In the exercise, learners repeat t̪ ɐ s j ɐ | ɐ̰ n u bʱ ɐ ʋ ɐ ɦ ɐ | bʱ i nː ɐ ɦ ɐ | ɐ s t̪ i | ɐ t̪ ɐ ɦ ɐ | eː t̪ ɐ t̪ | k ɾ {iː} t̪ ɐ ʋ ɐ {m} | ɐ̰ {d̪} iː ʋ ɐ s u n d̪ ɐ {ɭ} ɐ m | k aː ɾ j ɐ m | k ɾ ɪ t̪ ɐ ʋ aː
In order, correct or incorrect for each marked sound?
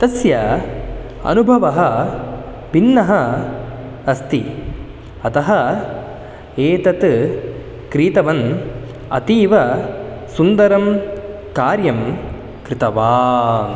correct, incorrect: n, incorrect: t̪, incorrect: ɾ

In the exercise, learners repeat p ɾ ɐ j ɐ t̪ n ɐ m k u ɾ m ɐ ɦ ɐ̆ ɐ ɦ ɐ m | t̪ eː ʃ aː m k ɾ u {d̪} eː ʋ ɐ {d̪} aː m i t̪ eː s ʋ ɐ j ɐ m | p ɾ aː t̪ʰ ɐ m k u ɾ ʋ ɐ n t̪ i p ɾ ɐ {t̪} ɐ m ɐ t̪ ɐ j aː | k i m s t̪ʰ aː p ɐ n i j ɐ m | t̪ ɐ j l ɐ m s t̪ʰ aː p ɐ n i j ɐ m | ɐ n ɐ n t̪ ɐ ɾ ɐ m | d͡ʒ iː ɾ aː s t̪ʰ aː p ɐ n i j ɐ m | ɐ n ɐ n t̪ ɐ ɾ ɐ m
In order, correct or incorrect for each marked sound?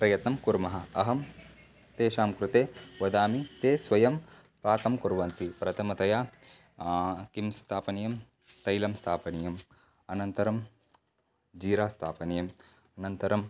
incorrect: t̪, correct, incorrect: t̪ʰ

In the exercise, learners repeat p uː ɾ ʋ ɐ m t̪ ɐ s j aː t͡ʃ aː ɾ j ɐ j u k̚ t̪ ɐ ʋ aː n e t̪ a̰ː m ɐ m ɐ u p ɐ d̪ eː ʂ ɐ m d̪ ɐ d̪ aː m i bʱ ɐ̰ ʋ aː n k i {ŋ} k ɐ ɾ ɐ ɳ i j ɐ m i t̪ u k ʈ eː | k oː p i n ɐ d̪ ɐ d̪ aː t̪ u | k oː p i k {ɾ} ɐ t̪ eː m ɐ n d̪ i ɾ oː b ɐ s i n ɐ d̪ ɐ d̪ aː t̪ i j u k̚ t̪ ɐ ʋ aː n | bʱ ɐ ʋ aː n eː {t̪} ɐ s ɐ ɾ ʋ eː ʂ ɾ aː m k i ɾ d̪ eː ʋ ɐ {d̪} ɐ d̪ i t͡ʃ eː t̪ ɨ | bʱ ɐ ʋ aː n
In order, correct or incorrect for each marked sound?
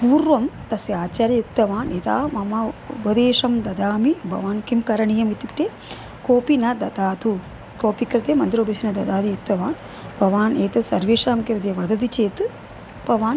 incorrect: m, correct, correct, correct

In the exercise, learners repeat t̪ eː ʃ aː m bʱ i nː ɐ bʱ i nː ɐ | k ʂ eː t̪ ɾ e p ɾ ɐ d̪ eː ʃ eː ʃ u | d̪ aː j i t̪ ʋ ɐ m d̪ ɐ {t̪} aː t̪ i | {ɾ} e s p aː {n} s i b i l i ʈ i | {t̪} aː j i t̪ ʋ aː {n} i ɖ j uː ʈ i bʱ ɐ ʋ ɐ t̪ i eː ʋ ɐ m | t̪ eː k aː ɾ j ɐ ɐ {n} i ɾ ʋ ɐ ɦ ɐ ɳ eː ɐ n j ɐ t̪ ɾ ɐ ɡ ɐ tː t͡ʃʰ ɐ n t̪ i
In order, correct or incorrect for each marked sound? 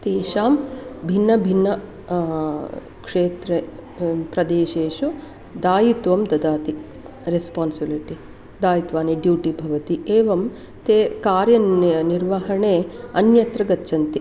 incorrect: d̪, correct, correct, incorrect: d̪, correct, correct

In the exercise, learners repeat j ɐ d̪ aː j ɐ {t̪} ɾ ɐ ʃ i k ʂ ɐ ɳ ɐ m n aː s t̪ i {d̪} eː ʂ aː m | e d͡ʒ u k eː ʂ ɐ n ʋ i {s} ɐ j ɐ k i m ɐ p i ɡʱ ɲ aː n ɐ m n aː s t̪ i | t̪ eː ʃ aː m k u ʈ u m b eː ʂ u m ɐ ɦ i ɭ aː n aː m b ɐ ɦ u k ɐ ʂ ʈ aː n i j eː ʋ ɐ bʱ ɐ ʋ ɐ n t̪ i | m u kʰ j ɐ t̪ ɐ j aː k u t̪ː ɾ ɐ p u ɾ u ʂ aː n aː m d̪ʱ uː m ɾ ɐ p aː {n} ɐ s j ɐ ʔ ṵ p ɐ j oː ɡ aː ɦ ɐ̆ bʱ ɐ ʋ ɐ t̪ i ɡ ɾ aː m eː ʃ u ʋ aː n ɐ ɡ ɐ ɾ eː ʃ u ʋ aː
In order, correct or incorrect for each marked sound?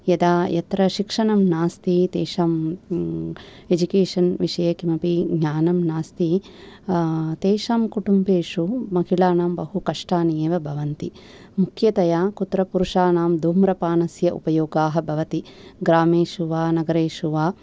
correct, incorrect: t̪, incorrect: ʂ, correct

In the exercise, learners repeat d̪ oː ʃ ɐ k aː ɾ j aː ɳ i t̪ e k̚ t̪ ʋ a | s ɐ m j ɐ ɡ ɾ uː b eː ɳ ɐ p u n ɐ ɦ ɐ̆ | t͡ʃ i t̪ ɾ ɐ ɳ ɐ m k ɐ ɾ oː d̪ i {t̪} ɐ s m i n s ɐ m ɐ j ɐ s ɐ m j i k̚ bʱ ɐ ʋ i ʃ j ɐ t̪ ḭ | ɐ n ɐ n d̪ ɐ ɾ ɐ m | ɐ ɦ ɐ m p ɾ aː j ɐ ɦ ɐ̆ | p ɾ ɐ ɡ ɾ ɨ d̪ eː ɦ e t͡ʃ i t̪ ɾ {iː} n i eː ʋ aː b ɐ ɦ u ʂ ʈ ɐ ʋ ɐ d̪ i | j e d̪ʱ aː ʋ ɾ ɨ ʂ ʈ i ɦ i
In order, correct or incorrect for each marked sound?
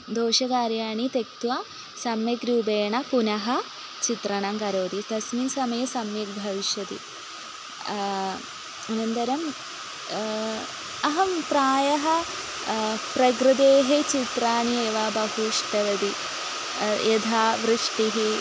correct, incorrect: aː

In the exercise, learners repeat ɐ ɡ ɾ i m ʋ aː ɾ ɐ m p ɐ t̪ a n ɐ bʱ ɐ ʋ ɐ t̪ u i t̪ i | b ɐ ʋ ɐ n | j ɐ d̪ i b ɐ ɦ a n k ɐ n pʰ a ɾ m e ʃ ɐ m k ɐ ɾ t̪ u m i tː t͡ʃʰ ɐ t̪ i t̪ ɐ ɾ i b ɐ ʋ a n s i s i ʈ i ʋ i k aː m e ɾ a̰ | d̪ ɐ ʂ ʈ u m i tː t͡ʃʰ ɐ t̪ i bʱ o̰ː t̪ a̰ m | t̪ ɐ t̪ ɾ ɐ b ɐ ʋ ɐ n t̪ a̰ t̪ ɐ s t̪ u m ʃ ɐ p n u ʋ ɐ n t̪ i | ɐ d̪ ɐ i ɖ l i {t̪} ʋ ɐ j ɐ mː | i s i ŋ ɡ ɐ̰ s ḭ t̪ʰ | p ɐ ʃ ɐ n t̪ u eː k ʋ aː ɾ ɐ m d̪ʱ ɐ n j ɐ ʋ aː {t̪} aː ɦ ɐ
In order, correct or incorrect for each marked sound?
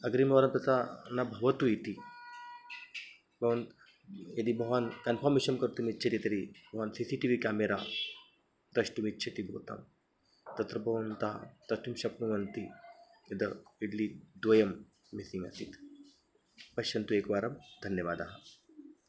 incorrect: d̪, incorrect: d̪

